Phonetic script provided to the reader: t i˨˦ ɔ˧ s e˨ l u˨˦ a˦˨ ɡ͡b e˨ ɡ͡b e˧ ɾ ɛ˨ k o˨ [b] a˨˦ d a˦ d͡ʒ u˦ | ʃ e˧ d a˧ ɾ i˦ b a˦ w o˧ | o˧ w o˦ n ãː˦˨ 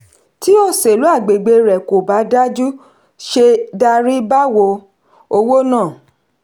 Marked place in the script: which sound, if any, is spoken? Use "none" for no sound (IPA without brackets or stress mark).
b